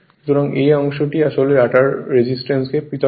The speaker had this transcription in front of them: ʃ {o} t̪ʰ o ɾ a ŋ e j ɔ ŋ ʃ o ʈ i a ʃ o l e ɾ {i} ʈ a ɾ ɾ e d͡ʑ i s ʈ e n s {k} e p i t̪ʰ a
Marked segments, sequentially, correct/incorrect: incorrect: u, incorrect: a, correct

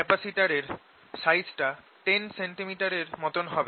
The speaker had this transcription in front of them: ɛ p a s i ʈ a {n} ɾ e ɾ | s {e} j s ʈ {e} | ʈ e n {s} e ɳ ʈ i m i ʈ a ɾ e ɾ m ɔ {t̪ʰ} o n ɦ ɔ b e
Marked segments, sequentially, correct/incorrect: incorrect: none, incorrect: a, incorrect: a, correct, incorrect: t̪

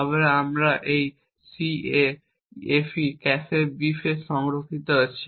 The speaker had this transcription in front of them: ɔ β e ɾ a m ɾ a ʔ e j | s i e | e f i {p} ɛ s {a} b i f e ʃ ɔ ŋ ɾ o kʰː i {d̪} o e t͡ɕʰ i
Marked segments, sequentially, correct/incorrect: incorrect: k, incorrect: e, incorrect: t̪

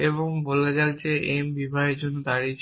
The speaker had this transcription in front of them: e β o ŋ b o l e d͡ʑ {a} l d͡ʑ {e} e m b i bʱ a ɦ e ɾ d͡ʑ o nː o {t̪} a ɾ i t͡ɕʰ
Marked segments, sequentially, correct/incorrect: correct, correct, incorrect: d̪

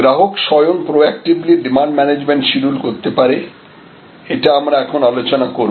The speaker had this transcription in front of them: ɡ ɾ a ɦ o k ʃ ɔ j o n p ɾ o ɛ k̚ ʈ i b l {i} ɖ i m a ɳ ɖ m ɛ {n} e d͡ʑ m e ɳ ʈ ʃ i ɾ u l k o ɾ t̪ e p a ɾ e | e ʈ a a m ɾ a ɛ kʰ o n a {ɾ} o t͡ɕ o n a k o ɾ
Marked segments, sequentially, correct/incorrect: correct, correct, incorrect: l

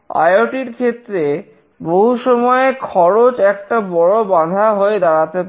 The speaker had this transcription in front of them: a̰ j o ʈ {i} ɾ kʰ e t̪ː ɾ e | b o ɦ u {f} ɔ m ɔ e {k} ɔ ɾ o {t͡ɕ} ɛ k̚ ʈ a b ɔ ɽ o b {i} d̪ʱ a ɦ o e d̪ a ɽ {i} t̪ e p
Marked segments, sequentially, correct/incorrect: correct, incorrect: ʃ, incorrect: kʰ, correct, incorrect: a, incorrect: a

